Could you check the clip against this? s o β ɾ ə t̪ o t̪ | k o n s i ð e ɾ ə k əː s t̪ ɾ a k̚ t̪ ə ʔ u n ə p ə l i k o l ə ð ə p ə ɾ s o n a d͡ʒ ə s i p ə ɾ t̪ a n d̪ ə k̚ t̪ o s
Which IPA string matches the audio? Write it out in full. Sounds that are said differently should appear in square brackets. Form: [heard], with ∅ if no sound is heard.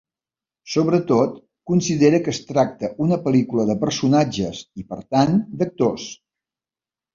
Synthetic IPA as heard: s o β ɾ ə t̪ o t̪ | k [u] n s i ð e ɾ ə k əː s t̪ ɾ a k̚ t̪ ə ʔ u n ə p ə l i k [u] l ə ð ə p ə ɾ s [u] n a d͡ʒ ə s i p ə ɾ t̪ a n d̪ ə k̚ t̪ o s